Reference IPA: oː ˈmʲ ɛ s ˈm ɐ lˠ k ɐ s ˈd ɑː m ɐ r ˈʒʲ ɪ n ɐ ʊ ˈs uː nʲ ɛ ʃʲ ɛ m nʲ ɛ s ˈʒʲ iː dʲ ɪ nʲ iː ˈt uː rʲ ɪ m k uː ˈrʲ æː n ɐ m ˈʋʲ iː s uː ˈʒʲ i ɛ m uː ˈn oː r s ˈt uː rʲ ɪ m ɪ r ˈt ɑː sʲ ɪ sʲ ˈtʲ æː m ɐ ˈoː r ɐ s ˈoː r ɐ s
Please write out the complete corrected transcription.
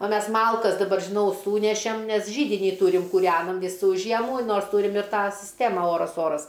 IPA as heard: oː ˈmʲ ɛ s ˈm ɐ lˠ k ɐ s ˈd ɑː b ɐ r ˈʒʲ ɪ n ɐ ʊ ˈs uː nʲ ɛ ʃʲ ɛ m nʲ ɛ s ˈʒʲ iː dʲ ɪ nʲ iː ˈt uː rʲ ɪ m k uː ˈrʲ æː n ɐ m ˈʋʲ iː s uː ˈʒʲ i ɛ m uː ˈn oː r s ˈt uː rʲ ɪ m ɪ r ˈt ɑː sʲ ɪ sʲ ˈtʲ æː m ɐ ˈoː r ɐ s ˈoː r ɐ s